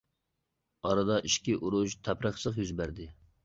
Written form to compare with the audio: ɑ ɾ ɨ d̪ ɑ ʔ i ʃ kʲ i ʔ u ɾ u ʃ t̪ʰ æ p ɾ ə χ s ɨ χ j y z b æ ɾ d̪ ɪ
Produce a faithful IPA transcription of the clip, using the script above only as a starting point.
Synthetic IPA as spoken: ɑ ɾ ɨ d̪ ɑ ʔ i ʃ kʲ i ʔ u ɾ u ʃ t̪ʰ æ p ɾ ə χ s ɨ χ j y z b æ ɾ d̪ ɪ